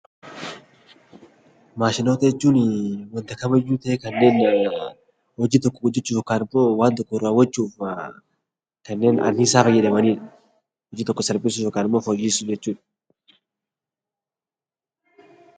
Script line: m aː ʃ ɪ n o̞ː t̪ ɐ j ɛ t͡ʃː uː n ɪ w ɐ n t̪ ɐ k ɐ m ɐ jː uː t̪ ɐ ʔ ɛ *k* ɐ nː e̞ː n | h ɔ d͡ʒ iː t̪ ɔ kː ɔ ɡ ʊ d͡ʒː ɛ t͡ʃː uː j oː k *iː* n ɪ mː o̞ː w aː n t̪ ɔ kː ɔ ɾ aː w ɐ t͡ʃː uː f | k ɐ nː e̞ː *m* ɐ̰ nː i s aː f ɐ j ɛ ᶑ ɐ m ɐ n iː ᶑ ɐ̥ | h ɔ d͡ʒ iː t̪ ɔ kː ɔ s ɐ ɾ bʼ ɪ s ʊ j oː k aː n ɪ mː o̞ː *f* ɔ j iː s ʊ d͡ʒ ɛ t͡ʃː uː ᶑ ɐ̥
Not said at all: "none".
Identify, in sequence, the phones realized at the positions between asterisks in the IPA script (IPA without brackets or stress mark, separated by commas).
k, aː, n, f